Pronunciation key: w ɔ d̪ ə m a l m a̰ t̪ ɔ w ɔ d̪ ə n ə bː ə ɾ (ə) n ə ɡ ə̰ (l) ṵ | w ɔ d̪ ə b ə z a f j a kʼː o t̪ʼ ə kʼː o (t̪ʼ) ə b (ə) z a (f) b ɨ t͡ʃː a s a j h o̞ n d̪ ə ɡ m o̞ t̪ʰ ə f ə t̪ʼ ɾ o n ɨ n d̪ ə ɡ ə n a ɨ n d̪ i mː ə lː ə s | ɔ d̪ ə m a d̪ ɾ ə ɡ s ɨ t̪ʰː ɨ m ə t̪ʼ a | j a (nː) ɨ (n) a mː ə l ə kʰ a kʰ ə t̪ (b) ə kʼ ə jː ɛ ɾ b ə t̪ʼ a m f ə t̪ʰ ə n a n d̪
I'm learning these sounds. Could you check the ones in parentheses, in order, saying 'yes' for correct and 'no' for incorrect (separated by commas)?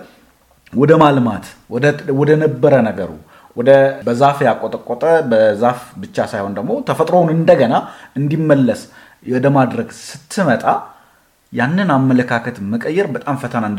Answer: yes, no, yes, yes, yes, yes, yes, no